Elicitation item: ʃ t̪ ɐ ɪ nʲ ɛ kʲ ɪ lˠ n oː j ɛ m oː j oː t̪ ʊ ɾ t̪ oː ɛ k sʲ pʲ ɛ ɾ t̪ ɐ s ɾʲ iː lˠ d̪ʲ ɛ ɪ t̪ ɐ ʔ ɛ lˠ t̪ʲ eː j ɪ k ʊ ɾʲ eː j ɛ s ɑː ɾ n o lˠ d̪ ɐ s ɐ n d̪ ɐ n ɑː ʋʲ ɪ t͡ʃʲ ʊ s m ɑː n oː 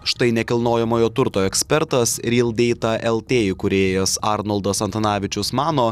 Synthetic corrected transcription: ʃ t̪ ɐ ɪ nʲ ɛ kʲ ɪ lˠ n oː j ɛ m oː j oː t̪ ʊ ɾ t̪ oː ɛ k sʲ pʲ ɛ ɾ t̪ ɐ s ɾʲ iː lˠ d̪ʲ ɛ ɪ t̪ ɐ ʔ ɛ lˠ t̪ʲ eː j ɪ k ʊ ɾʲ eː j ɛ s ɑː ɾ n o lˠ d̪ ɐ s ɐ n t̪ ɐ n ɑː ʋʲ ɪ t͡ʃʲ ʊ s m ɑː n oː